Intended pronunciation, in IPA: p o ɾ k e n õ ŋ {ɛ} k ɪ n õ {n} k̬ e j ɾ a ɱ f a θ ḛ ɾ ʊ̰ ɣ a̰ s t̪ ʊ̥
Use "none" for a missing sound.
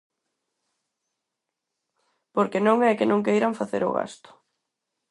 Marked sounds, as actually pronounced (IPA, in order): ɛ, ŋ

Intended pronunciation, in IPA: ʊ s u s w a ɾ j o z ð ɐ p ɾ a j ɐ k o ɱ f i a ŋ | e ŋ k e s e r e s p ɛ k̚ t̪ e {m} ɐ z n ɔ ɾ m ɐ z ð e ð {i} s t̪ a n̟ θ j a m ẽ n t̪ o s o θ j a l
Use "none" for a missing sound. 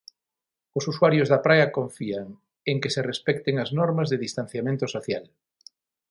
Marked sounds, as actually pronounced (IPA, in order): ŋ, i

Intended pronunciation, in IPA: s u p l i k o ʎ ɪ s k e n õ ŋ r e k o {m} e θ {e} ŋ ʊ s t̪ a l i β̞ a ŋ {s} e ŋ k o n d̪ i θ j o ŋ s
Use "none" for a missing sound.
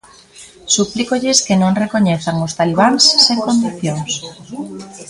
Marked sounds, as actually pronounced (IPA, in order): ɲ, a, sː

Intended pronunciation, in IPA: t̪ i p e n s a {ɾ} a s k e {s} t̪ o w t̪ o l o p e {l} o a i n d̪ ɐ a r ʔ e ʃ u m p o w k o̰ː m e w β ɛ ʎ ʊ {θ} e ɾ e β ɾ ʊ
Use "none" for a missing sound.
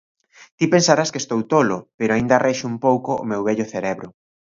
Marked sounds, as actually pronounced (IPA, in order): ɾ, s, ɾ, θ

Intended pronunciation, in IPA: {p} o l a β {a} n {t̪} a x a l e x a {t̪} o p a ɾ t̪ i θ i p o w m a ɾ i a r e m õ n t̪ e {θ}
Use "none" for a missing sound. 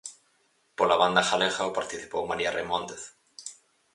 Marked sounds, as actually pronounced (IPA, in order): p, a, d̪, none, θ

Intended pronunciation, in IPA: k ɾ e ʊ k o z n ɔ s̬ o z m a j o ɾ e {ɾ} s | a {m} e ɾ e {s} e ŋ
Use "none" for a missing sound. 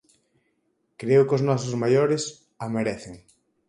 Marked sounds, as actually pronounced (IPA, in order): none, m, θ

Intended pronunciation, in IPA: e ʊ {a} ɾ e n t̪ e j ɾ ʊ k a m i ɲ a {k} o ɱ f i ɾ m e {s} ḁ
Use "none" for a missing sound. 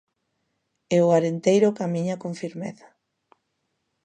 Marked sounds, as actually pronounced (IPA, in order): a, k, θ

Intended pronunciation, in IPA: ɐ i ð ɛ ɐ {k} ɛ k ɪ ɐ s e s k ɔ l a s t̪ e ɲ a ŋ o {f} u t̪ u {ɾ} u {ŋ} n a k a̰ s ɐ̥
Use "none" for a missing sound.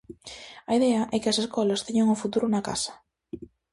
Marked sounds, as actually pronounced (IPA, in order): ʔ, f, ɾ, none

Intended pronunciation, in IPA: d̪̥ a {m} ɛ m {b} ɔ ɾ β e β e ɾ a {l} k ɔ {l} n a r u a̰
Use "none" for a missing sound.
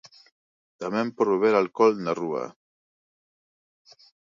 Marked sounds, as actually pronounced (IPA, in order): m, p, l, l

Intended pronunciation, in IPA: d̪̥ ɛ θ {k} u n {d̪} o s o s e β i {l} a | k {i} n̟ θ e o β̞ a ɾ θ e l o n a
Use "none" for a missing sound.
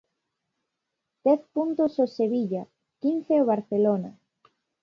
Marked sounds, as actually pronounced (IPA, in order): p, t̪, ʎ, i

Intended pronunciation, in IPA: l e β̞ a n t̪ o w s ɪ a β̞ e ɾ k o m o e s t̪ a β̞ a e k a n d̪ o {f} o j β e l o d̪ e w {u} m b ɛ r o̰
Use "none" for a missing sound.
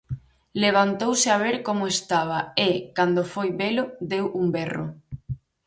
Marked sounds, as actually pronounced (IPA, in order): f, u

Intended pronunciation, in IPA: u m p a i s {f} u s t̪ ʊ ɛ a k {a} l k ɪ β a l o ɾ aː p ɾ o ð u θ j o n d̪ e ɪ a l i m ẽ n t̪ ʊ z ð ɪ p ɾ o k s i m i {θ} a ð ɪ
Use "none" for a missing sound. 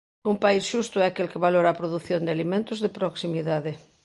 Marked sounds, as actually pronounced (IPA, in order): ʃ, e, ð

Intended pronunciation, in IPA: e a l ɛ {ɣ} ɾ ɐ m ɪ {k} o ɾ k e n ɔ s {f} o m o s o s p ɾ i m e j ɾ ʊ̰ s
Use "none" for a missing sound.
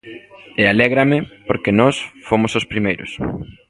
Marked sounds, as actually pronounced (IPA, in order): ɣ, p, f

